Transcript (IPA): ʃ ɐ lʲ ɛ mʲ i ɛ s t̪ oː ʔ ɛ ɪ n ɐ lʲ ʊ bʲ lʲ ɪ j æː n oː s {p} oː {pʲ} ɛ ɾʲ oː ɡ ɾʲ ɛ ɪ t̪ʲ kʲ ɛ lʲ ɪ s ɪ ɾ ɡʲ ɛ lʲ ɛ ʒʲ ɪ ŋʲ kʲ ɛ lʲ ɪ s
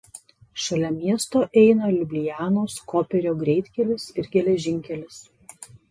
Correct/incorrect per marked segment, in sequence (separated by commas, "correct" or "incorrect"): incorrect, correct